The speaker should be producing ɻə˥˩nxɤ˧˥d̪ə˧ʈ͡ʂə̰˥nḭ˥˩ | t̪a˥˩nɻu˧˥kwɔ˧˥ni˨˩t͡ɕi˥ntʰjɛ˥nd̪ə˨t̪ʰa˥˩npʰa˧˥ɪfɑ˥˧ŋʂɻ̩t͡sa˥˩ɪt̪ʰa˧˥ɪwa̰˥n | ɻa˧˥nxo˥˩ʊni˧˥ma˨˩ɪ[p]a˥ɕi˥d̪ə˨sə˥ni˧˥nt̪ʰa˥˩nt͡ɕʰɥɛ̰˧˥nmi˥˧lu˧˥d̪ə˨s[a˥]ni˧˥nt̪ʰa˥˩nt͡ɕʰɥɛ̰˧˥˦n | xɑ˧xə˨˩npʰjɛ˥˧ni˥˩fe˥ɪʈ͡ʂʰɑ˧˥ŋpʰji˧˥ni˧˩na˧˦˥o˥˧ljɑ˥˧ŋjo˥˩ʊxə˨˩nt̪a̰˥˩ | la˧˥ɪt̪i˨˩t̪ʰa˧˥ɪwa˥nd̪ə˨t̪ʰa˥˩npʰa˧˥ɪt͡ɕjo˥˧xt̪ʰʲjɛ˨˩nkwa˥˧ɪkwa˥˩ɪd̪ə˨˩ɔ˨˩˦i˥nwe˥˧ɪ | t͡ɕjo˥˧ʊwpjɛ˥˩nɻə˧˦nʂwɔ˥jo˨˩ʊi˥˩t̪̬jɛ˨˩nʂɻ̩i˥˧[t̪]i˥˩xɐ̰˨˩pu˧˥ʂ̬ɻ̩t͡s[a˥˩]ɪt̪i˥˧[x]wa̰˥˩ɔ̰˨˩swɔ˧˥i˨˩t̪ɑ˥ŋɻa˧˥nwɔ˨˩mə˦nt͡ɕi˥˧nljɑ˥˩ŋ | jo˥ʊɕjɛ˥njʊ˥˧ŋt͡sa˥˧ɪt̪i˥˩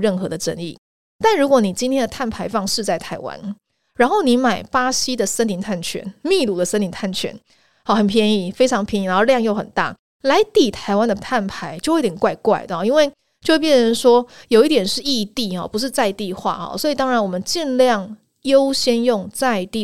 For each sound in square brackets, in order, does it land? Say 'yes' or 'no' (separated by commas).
yes, no, yes, no, yes